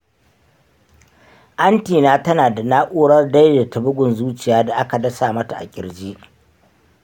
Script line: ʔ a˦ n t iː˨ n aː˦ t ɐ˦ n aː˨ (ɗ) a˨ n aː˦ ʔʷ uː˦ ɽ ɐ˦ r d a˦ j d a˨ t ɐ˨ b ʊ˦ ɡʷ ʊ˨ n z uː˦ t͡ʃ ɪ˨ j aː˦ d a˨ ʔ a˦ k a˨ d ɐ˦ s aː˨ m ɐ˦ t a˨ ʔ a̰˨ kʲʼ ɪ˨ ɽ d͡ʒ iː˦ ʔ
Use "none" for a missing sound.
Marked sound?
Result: d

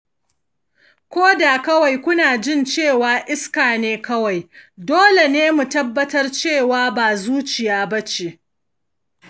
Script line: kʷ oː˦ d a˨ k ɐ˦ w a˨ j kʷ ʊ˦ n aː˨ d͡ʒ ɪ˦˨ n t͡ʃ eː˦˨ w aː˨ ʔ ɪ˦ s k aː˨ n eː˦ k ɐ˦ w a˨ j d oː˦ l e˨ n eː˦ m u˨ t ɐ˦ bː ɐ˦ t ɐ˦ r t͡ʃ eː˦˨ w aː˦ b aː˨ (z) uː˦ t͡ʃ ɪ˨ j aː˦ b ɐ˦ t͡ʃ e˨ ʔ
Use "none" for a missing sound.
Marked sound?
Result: z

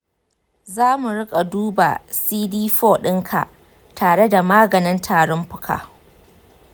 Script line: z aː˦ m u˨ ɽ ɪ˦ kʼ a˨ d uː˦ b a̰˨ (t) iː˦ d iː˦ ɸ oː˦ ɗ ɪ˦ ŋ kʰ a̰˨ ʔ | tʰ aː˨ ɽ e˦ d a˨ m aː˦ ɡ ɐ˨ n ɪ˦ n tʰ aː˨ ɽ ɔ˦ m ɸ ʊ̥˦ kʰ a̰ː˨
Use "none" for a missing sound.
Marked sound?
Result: s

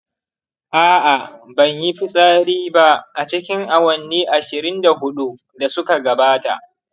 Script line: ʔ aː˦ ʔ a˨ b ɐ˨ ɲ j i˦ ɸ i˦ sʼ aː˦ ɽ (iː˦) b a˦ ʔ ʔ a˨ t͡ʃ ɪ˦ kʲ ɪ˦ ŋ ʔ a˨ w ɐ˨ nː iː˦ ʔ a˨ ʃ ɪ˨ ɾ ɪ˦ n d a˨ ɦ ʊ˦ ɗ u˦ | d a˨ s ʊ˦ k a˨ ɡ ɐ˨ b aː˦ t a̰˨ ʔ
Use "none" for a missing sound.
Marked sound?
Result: iː˦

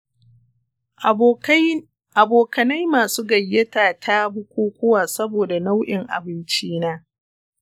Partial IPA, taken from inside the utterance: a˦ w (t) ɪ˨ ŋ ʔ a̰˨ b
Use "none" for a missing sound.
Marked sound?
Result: ʔ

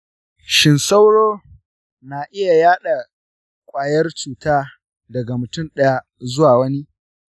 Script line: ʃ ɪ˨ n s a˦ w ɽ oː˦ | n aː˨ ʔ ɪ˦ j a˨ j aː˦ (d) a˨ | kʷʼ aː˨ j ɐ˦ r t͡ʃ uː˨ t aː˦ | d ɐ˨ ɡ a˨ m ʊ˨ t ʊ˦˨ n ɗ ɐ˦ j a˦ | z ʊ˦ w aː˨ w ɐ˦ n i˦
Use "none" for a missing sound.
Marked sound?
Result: ɗ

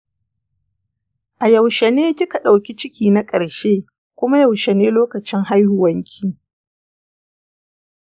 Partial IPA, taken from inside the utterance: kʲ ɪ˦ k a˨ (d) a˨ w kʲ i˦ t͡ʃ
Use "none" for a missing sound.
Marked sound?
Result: ɗ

